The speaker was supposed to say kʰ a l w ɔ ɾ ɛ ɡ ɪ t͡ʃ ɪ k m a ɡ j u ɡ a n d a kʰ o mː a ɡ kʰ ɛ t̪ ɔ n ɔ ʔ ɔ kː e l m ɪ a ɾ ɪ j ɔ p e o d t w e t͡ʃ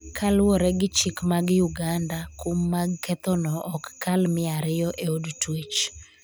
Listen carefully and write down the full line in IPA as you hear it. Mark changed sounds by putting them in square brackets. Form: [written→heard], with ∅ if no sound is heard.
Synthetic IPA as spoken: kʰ a l w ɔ ɾ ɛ ɡ ɪ t͡ʃ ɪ k m a ɡ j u ɡ a n d a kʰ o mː a ɡ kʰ ɛ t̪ ɔ n ɔ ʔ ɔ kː [e→a] l m ɪ a ɾ ɪ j ɔ [p→ʔ] e o d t w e t͡ʃ